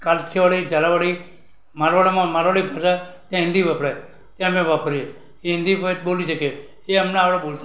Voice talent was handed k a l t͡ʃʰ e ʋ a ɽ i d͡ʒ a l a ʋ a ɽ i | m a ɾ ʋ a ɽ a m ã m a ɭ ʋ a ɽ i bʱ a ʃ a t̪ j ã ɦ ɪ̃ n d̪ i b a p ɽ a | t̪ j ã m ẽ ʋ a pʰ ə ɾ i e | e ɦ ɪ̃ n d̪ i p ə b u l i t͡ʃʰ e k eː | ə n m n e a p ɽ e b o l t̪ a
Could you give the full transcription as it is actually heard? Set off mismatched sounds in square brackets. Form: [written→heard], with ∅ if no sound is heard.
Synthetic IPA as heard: k a l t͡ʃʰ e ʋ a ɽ i d͡ʒ a l a ʋ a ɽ i | m a ɾ ʋ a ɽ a m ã m a [ɭ→ɾ] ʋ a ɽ i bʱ a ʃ a t̪ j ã ɦ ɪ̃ n d̪ i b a p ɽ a | t̪ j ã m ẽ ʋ a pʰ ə ɾ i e | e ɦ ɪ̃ n d̪ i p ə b [u→o] l i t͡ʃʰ e k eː | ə [n→∅] m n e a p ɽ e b o l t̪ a